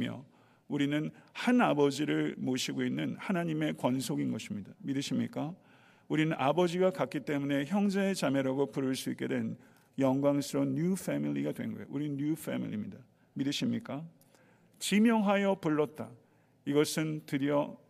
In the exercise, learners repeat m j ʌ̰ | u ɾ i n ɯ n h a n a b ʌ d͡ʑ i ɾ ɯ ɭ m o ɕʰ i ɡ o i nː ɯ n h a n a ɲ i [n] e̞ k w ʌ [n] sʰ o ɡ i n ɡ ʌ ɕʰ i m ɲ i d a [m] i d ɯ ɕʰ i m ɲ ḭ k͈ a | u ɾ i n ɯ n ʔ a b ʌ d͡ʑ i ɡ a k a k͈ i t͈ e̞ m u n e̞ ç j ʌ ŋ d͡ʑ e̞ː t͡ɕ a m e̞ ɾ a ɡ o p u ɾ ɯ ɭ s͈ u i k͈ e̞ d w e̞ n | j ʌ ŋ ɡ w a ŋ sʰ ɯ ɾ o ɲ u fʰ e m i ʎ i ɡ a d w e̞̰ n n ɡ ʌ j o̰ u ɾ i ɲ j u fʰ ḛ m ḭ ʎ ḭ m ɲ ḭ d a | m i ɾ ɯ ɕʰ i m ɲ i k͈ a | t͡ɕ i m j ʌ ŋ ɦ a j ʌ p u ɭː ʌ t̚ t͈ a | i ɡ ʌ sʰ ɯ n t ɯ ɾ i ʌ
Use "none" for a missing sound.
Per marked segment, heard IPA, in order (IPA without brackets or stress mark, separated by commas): m, n, m